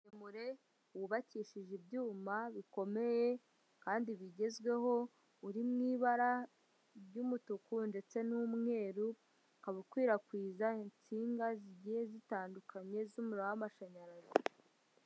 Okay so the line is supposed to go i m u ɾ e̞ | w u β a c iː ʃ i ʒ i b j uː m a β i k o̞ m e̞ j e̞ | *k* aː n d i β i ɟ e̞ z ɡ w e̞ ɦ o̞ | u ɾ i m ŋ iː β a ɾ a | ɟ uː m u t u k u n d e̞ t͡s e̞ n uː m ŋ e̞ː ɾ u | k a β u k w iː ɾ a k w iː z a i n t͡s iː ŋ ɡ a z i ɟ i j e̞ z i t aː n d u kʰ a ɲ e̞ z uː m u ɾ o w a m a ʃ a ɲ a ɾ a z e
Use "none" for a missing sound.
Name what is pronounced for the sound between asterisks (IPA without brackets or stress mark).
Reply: k